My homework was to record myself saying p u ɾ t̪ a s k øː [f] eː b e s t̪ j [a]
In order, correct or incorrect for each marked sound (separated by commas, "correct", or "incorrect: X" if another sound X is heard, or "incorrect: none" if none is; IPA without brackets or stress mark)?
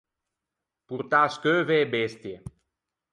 incorrect: v, incorrect: e